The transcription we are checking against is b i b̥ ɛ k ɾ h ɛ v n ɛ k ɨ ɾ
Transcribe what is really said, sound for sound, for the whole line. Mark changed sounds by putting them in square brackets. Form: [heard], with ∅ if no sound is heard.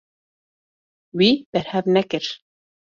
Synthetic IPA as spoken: [w] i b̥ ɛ [∅] ɾ h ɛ v n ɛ k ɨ ɾ